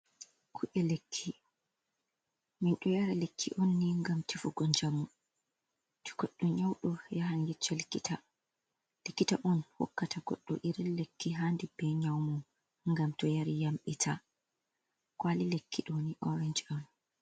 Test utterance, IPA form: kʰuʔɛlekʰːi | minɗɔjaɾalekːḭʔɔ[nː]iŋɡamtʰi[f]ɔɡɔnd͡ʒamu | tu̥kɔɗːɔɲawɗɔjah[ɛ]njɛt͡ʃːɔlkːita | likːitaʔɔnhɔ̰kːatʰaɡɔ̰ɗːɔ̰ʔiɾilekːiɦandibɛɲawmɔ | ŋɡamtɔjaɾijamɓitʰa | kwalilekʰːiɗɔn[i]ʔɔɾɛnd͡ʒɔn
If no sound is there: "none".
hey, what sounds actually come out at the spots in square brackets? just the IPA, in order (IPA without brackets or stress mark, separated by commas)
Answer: nː, f, a, i